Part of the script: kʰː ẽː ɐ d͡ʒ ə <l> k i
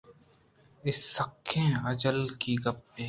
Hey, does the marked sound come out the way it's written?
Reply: yes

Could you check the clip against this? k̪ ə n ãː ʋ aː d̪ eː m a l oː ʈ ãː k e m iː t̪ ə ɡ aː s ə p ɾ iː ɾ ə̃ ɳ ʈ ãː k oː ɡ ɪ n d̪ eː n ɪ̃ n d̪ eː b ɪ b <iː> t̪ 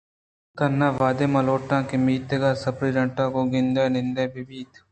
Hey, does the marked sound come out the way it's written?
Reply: yes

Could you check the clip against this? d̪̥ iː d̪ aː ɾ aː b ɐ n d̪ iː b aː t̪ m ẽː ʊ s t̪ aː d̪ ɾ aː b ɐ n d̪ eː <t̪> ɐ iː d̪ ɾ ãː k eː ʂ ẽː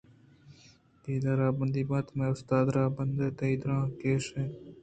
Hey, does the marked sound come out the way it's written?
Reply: yes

